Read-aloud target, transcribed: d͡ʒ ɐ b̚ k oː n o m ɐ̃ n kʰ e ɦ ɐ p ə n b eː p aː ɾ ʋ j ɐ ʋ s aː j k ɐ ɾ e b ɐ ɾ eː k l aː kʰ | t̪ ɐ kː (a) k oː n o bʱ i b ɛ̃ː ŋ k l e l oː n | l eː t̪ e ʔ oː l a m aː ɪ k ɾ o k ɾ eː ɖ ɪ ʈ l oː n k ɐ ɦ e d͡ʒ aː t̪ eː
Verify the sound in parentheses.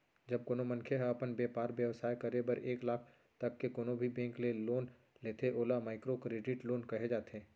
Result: incorrect: e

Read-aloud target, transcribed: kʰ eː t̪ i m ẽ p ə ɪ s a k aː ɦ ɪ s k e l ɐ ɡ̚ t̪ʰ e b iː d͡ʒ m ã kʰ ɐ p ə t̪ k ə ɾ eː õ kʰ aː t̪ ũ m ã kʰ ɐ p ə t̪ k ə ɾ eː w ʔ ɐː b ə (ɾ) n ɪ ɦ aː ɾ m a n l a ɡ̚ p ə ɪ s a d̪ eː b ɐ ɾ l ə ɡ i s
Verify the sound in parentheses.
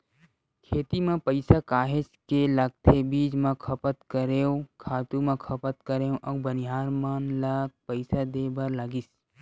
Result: incorrect: none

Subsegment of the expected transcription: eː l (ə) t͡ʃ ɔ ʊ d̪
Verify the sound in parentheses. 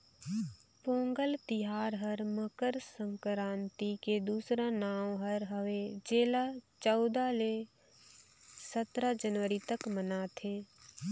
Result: incorrect: a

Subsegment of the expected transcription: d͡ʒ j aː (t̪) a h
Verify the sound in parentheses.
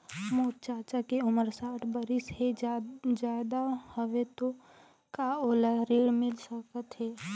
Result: incorrect: d̪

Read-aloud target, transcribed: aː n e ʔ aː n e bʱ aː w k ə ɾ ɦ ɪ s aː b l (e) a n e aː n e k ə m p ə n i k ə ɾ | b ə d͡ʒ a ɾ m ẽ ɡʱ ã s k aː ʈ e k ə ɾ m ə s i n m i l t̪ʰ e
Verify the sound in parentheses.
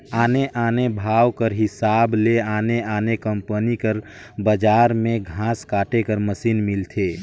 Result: correct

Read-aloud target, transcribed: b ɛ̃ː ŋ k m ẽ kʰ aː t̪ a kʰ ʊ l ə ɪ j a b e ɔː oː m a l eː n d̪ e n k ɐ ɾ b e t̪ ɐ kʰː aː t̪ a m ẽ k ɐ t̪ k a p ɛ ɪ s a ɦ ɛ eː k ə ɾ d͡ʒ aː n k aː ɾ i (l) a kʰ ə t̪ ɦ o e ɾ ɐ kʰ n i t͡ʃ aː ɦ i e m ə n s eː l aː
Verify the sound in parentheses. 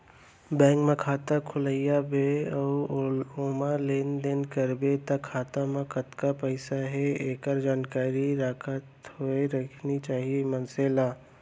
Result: incorrect: ɾ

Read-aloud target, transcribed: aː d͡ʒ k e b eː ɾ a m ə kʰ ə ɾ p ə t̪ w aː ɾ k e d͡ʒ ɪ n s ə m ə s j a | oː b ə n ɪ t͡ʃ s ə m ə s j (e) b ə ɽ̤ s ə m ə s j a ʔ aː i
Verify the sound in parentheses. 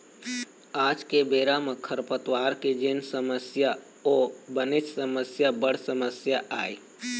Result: incorrect: a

